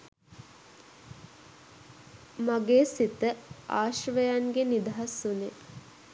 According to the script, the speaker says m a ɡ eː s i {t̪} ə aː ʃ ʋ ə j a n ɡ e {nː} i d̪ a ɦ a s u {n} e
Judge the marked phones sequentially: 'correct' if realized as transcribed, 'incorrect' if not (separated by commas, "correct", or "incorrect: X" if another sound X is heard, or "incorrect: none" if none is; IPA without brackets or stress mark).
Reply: correct, incorrect: n, correct